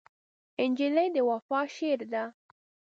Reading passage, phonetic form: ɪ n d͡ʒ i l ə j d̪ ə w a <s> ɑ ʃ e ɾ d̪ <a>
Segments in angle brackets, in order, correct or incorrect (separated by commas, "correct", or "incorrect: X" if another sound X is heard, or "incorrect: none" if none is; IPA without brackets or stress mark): incorrect: f, correct